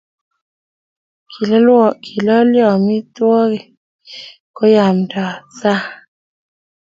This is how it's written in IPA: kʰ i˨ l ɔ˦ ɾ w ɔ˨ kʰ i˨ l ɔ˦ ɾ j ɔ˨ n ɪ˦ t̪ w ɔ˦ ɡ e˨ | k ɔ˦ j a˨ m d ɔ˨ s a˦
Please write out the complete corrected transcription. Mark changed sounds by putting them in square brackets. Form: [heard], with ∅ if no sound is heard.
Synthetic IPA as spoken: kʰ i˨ l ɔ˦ [l] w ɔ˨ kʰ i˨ l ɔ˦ [l] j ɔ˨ [m] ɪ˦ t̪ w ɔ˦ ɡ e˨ | k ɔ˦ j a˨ m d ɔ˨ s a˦